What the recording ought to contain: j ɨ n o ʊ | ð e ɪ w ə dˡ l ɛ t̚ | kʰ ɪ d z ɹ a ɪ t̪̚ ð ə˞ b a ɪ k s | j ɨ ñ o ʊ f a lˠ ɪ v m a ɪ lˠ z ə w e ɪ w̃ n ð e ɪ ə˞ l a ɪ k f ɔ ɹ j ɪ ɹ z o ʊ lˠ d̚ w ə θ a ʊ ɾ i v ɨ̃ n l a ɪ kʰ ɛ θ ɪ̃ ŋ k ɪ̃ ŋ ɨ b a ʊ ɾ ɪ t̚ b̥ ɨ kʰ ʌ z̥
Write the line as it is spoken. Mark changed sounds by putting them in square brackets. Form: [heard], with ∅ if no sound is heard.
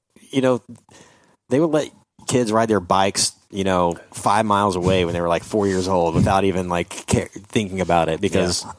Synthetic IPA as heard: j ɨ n o ʊ | ð e ɪ w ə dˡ l ɛ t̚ | kʰ ɪ d z ɹ a ɪ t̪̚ ð ə˞ b a ɪ k s | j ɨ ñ o ʊ f a [∅] ɪ v m a ɪ lˠ z ə w e ɪ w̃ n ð e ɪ ə˞ l a ɪ k f ɔ ɹ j ɪ ɹ z o ʊ lˠ d̚ w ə θ a ʊ ɾ i v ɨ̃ n l a ɪ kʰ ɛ θ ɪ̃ ŋ k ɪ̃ ŋ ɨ b a ʊ ɾ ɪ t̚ b̥ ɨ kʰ ʌ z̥